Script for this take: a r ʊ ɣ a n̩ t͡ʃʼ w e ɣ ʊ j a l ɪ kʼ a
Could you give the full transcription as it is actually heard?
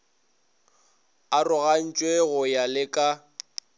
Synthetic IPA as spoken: a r ʊ ɣ a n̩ t͡ʃʼ w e ɣ ʊ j a l ɪ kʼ a